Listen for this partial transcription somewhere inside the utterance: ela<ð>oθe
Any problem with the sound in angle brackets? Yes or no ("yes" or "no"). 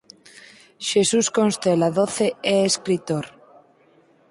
no